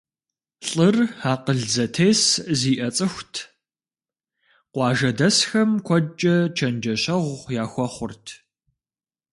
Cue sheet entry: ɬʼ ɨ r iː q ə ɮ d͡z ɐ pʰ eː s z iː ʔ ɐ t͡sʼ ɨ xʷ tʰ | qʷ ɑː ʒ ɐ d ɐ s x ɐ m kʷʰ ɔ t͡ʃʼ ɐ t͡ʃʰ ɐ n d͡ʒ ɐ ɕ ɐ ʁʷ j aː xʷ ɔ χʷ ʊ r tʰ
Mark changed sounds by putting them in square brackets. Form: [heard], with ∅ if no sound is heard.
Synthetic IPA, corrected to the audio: ɬʼ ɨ r [aː] q ə ɮ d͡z ɐ [tʰ] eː s z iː ʔ ɐ t͡sʼ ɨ xʷ tʰ | qʷ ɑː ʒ ɐ d ɐ s x ɐ m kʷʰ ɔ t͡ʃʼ ɐ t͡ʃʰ ɐ n d͡ʒ ɐ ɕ ɐ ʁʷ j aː xʷ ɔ χʷ ʊ r tʰ

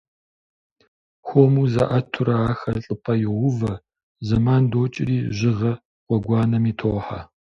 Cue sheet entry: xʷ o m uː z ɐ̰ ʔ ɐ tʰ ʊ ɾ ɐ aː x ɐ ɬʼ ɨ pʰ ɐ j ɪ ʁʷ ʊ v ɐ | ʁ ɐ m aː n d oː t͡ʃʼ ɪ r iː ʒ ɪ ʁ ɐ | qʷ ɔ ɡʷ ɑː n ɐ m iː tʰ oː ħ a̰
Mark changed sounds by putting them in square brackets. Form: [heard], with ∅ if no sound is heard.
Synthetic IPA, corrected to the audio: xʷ o m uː z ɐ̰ ʔ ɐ tʰ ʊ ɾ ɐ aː x ɐ ɬʼ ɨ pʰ ɐ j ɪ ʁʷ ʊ v ɐ | [z] ɐ m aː n d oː t͡ʃʼ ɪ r iː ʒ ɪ ʁ ɐ | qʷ ɔ ɡʷ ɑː n ɐ m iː tʰ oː ħ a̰

